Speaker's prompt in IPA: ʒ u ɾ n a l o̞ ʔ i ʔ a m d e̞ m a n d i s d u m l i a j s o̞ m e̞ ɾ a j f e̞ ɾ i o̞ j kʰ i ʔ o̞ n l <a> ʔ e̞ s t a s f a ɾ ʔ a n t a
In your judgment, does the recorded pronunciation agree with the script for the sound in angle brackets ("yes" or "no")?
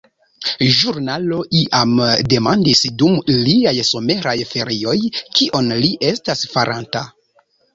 no